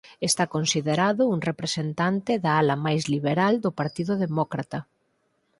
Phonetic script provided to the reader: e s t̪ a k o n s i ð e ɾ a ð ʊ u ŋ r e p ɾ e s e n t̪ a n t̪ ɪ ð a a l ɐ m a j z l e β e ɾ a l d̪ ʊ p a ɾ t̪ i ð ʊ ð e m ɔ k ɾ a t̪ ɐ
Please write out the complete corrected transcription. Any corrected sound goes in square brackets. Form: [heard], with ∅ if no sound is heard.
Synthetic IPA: e s t̪ a k o n s i ð e ɾ a ð ʊ u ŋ r e p ɾ e s e n t̪ a n t̪ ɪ ð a a l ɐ m a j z l [i] β e ɾ a l d̪ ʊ p a ɾ t̪ i ð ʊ ð e m ɔ k ɾ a t̪ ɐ